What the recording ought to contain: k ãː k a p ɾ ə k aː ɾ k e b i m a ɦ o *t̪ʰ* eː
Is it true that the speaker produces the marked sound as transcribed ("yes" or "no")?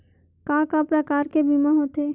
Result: no